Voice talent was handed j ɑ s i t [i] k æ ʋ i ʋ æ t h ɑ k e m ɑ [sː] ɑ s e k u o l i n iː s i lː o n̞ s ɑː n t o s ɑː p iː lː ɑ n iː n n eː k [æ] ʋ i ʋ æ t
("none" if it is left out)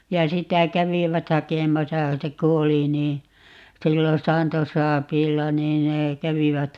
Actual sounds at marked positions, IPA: æ, s, æ

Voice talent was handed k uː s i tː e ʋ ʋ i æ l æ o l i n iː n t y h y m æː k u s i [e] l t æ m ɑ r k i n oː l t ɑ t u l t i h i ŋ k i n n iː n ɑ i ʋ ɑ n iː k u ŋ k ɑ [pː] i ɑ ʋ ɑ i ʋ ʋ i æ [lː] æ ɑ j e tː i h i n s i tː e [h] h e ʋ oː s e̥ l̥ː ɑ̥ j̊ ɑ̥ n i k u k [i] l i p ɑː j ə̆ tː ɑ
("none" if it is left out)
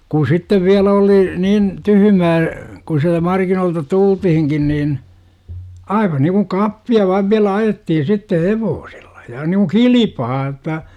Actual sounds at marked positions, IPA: æ, pː, l, h, i

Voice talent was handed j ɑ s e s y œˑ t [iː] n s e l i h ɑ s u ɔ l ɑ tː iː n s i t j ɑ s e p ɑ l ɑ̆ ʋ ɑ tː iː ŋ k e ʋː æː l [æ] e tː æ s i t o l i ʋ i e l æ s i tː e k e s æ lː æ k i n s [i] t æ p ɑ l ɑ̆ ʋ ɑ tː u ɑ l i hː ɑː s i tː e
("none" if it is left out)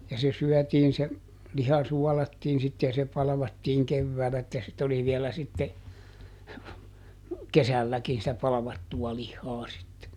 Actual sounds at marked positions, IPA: iː, æ, i

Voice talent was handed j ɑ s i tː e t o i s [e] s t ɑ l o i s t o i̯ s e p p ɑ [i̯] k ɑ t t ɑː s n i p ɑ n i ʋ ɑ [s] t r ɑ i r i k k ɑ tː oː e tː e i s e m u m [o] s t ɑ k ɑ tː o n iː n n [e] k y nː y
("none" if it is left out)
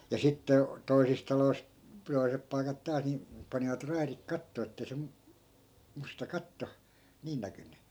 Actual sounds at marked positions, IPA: i, i̯, none, u, æ

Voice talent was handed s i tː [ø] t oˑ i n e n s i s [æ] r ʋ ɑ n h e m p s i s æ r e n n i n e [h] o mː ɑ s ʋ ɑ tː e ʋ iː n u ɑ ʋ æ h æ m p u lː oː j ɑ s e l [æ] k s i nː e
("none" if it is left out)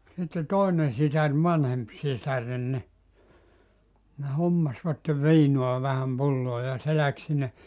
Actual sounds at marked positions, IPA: e, æ, h, æ

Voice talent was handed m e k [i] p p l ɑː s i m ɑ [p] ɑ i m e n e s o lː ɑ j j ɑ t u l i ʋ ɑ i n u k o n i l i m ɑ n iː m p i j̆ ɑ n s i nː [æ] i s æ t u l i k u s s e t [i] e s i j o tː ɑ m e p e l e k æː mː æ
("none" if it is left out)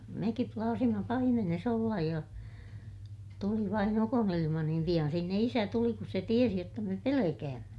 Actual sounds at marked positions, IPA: i, p, e, i

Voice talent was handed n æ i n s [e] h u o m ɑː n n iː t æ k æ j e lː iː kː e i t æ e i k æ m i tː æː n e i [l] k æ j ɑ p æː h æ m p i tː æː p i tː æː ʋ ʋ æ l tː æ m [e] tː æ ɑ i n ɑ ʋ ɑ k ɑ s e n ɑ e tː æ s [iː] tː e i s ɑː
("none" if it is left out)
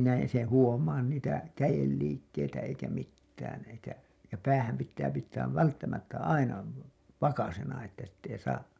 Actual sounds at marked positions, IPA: e, none, æ, i

